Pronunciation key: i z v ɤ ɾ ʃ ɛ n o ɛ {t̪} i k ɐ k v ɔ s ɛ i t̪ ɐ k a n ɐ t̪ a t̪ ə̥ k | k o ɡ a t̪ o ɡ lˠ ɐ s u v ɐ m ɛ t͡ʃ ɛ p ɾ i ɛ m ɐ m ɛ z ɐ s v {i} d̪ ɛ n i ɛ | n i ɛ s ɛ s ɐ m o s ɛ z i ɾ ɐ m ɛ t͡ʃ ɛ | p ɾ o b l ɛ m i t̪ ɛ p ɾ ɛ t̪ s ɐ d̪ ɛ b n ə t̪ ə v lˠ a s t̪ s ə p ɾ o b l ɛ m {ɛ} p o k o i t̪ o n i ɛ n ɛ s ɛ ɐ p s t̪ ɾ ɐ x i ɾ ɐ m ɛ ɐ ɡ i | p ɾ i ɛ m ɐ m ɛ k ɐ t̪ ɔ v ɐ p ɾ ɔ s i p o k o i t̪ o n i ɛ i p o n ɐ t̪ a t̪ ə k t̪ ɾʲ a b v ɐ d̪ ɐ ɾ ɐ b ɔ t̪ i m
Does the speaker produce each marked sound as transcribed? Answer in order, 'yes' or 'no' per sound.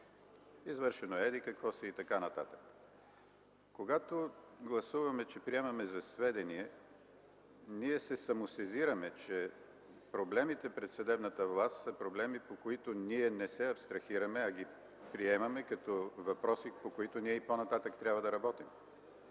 no, no, no

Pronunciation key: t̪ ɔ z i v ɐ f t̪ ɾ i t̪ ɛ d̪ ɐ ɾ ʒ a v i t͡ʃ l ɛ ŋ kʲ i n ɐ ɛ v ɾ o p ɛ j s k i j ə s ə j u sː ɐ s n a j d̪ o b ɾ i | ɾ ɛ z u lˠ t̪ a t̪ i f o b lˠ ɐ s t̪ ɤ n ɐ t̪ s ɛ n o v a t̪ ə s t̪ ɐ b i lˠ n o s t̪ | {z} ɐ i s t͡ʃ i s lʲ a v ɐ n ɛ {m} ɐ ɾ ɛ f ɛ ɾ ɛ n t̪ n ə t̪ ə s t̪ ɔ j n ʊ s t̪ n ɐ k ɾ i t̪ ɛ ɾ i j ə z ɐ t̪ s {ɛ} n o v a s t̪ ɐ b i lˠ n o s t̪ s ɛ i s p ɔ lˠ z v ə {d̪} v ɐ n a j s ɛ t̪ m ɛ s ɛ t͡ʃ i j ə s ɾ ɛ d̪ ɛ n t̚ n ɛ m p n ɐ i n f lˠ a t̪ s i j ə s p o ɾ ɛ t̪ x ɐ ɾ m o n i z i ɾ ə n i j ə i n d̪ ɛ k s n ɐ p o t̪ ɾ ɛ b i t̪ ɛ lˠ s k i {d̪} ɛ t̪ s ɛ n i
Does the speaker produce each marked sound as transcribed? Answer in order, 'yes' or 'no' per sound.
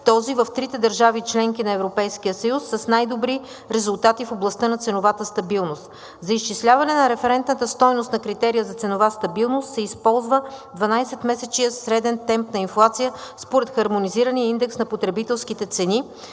yes, no, yes, yes, no

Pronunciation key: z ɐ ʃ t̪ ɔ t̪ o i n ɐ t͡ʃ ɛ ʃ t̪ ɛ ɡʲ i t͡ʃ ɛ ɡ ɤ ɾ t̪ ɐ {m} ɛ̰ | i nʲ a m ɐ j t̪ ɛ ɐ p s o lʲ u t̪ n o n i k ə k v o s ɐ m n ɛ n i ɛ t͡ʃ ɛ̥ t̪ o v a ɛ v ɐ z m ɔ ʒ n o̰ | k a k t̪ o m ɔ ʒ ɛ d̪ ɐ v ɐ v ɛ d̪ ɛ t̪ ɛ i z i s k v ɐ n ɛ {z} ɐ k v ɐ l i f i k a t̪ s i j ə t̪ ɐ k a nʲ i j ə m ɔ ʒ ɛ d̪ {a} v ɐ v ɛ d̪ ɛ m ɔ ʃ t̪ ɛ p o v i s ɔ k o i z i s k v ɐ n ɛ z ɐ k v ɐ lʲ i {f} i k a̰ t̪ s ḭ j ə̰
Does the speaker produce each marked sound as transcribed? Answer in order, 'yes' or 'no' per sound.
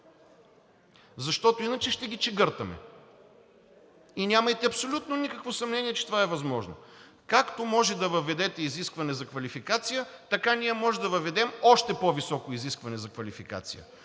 yes, yes, no, yes

